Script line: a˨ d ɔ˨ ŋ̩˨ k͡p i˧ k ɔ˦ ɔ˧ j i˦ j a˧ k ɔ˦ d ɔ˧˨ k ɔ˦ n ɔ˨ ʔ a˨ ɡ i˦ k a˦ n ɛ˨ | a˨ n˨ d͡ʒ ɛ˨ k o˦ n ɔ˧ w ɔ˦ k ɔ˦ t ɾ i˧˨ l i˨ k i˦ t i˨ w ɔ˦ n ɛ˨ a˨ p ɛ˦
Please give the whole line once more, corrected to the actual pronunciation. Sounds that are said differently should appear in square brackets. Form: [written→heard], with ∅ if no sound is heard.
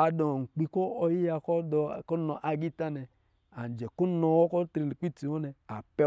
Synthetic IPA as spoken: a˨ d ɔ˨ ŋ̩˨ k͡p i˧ k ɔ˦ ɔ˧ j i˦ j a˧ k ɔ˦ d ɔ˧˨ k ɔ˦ n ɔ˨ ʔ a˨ ɡ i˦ [k→t] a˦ n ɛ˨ | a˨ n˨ d͡ʒ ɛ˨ k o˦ n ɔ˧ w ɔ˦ k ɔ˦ t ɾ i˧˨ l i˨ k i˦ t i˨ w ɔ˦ n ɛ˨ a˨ p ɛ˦